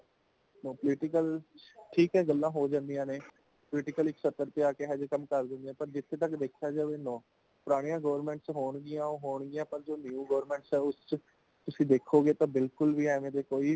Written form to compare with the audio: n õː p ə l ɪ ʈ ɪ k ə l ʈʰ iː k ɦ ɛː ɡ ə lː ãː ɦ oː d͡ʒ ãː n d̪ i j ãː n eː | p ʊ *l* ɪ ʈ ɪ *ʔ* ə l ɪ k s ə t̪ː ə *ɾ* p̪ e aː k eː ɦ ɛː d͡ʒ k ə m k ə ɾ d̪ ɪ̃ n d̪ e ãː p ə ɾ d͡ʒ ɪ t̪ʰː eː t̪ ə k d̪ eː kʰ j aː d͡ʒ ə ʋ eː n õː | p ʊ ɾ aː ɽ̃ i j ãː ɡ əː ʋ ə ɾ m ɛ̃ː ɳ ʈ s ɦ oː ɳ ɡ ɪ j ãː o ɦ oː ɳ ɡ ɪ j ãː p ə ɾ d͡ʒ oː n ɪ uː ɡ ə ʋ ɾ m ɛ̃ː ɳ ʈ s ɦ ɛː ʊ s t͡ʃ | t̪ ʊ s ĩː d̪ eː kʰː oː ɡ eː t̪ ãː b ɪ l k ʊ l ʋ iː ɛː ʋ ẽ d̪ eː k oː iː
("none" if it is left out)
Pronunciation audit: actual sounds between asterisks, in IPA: l, k, ɾ

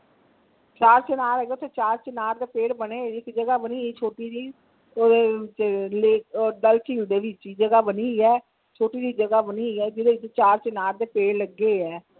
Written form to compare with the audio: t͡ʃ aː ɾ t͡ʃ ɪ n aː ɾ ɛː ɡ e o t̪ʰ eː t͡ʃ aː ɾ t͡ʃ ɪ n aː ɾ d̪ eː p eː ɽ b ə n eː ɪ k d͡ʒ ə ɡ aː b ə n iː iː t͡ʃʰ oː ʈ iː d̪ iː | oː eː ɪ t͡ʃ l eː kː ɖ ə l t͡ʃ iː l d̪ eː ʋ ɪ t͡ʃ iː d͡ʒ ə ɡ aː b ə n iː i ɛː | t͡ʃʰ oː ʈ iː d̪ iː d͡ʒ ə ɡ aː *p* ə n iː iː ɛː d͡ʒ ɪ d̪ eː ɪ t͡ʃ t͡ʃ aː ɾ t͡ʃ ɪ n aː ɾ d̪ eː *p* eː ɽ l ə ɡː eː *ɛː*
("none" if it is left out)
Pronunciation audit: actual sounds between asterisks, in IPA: b, p, ɛː

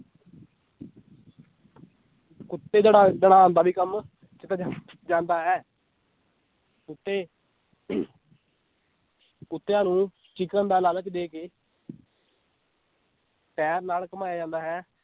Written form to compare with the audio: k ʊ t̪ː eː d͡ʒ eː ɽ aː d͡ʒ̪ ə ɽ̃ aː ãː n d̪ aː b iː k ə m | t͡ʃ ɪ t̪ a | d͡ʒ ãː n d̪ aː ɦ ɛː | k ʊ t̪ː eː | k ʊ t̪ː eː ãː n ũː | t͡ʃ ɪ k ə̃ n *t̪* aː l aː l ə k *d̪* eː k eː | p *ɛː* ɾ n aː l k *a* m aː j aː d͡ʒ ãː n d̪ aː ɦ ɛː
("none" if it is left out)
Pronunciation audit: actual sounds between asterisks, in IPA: d̪, d̪, ɛː, ə

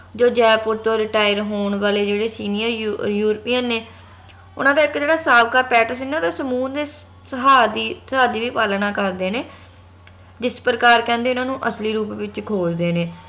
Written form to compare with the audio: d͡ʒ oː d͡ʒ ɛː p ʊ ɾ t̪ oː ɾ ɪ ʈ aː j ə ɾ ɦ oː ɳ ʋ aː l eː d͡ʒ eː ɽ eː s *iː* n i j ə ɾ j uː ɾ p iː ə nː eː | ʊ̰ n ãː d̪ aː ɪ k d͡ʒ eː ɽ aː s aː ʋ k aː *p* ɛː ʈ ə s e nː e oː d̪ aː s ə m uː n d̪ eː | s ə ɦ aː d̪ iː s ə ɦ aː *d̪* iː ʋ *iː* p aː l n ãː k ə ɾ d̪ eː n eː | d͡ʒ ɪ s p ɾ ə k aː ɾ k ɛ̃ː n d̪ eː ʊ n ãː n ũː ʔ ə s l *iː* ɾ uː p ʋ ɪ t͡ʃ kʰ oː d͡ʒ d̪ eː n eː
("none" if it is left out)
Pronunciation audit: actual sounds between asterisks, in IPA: iː, p, d̪, iː, iː

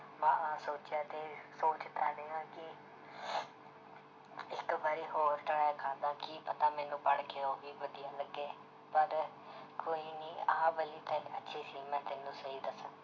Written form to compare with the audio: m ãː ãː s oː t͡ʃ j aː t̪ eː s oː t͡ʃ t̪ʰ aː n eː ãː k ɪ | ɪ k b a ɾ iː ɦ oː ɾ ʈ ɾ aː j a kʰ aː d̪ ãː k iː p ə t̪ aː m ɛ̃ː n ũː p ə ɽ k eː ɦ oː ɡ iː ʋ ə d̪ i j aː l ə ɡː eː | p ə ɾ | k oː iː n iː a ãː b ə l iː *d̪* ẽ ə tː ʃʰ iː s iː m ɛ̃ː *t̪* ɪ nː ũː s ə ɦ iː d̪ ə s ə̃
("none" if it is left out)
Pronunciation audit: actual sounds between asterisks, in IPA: t̪, t̪

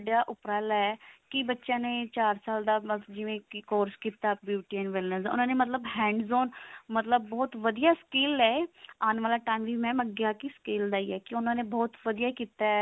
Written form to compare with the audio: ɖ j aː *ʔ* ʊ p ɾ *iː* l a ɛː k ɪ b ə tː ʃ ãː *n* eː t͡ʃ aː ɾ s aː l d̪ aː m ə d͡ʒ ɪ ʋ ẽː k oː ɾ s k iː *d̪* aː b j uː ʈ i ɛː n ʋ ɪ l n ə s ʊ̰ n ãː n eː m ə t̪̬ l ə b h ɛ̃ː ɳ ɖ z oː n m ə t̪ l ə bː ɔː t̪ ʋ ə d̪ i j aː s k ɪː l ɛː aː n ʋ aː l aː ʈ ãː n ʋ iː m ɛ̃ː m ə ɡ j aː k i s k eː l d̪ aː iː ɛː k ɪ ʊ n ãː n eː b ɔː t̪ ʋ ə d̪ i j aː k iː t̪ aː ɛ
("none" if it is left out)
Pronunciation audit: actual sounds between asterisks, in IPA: ʔ, aː, n, t̪

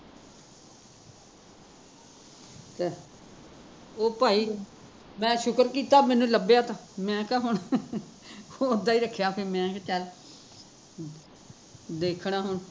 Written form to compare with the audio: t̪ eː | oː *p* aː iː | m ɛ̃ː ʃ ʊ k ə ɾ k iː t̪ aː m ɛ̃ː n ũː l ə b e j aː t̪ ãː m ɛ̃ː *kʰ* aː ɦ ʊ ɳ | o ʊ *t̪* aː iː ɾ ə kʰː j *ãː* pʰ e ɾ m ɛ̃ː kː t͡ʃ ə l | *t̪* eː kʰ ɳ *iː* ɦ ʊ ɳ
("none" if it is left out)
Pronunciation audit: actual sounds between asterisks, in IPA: p, k, d̪, aː, d̪, aː

